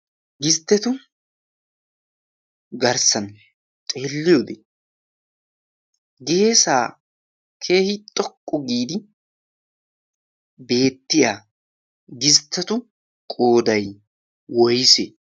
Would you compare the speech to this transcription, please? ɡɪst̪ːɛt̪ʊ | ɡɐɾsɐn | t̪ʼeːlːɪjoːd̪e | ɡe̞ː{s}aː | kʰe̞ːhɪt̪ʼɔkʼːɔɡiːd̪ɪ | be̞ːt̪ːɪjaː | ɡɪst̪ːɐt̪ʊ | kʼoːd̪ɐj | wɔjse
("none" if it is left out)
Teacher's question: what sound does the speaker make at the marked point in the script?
s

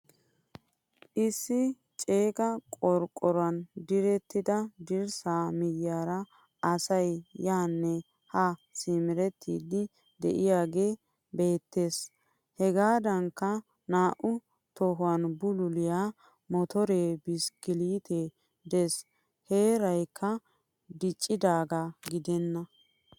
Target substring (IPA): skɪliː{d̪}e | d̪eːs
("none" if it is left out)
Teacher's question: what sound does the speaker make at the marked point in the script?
t̪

